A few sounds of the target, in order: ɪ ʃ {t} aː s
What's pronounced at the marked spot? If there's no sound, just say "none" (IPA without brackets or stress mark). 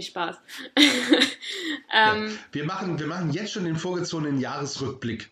p